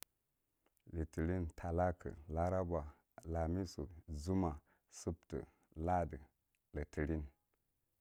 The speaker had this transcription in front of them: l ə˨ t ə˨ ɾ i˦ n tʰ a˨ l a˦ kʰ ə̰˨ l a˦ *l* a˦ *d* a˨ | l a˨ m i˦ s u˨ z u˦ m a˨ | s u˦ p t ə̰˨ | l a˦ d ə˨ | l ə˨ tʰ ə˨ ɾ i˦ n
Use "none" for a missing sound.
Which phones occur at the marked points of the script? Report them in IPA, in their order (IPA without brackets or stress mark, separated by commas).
ɾ, b